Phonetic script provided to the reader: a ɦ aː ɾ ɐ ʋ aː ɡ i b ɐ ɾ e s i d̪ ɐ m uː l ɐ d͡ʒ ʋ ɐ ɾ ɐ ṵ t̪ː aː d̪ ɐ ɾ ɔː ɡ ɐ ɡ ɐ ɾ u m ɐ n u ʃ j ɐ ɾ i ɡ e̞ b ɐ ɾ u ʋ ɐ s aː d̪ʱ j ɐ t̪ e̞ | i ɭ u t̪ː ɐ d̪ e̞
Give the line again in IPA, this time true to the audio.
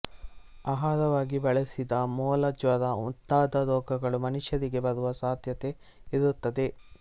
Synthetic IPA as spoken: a ɦ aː ɾ ɐ ʋ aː ɡ i b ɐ ɭ e s i d̪ ɐ m ɔː l ɐ d͡ʒ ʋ ɐ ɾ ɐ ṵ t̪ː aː d̪ ɐ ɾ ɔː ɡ ɐ ɡ ɐ ɭ u m ɐ n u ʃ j ɐ ɾ i ɡ e̞ b ɐ ɾ u ʋ ɐ s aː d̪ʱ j ɐ t̪ e̞ | i ɾ u t̪ː ɐ d̪ e̞